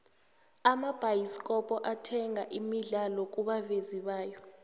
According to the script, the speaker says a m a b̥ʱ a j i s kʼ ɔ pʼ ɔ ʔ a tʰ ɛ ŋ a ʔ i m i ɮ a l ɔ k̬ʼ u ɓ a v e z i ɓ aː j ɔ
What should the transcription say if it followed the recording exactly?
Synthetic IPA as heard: a m a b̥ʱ a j i s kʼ ɔ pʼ ɔ ʔ a tʰ ɛ ŋ a ʔ i m i ɮ a l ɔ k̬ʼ u ɓ a v e z i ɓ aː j ɔ